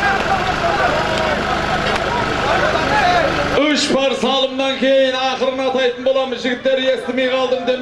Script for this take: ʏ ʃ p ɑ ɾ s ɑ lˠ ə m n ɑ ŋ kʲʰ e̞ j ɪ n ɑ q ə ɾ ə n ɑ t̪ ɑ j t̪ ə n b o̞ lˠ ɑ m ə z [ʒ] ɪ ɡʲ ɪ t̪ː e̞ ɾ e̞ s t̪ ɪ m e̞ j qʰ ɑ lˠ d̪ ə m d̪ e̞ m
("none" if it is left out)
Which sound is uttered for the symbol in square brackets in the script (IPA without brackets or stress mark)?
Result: ʒ